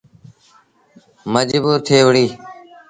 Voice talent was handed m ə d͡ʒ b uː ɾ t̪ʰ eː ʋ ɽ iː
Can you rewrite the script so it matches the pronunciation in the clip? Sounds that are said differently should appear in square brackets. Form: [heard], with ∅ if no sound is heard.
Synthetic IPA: m ə d͡ʒ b uː ɾ t̪ʰ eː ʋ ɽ iː